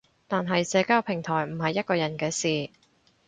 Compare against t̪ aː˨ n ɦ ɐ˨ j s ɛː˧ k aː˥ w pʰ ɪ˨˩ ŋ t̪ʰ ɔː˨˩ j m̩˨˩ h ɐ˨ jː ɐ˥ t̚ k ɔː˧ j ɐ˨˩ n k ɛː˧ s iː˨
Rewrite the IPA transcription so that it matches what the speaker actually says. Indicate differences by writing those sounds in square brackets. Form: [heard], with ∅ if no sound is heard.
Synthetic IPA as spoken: t̪ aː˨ n ɦ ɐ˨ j s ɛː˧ k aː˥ w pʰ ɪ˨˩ ŋ t̪ʰ ɔː˨˩ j m̩˨˩ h ɐ˨ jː ɐ˥ t̚ k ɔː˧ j ɐ˨˩ n k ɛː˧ s iː˨